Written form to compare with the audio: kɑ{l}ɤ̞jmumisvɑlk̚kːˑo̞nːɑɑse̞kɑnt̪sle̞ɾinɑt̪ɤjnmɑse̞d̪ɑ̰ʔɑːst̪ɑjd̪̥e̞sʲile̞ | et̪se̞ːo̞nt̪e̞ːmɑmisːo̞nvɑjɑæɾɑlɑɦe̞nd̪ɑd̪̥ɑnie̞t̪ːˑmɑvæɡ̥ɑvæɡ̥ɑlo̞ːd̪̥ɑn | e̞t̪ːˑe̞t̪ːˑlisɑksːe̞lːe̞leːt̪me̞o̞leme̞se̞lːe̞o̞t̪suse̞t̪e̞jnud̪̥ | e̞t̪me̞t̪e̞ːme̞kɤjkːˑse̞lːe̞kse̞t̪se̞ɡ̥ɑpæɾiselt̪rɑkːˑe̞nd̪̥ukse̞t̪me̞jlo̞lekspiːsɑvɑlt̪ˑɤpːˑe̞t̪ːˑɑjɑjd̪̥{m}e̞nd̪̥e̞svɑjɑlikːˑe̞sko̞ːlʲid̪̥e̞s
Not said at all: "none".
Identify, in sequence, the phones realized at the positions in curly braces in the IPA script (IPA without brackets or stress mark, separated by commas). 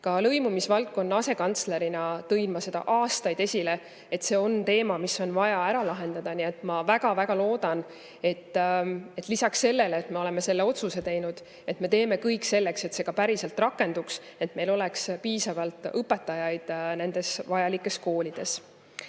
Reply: l, n